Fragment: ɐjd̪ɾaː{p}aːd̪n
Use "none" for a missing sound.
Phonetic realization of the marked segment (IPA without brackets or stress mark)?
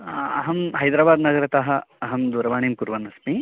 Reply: b